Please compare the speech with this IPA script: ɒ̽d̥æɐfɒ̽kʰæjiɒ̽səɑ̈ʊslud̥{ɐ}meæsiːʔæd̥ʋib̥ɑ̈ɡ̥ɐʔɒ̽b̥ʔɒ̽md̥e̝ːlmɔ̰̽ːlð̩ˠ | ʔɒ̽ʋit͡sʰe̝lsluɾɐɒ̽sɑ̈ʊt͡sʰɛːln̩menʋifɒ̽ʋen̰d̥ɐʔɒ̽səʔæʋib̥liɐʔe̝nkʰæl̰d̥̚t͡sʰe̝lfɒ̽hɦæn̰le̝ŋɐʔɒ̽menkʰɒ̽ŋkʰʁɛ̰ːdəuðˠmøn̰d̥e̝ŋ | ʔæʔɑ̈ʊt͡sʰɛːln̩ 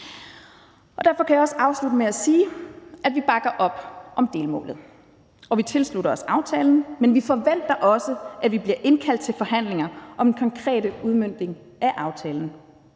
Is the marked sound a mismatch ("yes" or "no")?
yes